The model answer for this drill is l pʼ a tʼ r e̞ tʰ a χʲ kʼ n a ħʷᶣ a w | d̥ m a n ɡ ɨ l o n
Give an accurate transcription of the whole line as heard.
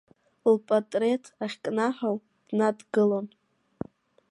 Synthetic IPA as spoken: l pʼ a tʼ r e̞ tʰ a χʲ kʼ n a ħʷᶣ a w | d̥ n a d ɡ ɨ l o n